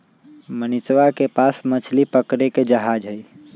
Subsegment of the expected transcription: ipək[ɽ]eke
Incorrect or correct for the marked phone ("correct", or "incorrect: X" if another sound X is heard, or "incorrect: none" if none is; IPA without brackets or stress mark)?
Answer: incorrect: ɾ